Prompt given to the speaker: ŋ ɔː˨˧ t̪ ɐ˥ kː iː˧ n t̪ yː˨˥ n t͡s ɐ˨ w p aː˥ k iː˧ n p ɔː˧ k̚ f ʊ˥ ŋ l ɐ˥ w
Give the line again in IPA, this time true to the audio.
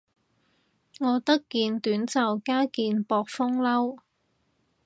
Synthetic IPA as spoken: ŋ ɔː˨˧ t̪ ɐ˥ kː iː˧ n t̪ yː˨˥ n t͡s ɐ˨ w k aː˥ k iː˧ n p ɔː˧ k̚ f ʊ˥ ŋ l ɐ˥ w